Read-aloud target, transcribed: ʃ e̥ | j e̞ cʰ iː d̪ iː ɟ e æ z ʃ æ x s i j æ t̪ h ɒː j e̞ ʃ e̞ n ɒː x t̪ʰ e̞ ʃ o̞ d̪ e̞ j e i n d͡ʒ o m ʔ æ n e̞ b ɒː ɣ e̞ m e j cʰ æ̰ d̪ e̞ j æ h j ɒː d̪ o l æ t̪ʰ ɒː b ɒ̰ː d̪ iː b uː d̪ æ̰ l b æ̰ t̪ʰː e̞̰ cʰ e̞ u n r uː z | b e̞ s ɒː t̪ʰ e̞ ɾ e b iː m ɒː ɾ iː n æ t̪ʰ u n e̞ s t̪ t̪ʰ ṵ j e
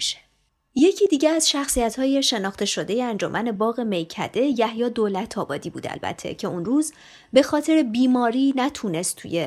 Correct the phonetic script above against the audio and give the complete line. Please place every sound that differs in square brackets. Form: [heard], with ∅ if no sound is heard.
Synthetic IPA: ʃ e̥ | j e̞ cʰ iː d̪ iː ɟ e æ z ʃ æ x s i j æ t̪ h ɒː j e̞ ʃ e̞ n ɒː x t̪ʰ e̞ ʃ o̞ d̪ e̞ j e [æ] n d͡ʒ o m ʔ æ n e̞ b ɒː ɣ e̞ m e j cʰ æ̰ d̪ e̞ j æ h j ɒː d̪ o l æ t̪ʰ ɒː b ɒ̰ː d̪ iː b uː d̪ æ̰ l b æ̰ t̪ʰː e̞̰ cʰ e̞ u n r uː z | b e̞ [x] ɒː t̪ʰ e̞ ɾ e b iː m ɒː ɾ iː n æ t̪ʰ u n e̞ s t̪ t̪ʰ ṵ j e